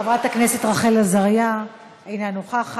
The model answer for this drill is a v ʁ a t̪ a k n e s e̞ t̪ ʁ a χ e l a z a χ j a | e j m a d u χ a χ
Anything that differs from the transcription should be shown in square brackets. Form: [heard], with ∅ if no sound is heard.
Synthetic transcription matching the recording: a v ʁ a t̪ a k n e s e̞ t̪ ʁ a χ e l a z a [ʁ] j a | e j [n] a [n] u χ a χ